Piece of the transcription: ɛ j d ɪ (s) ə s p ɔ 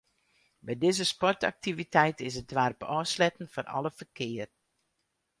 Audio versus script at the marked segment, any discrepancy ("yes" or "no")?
yes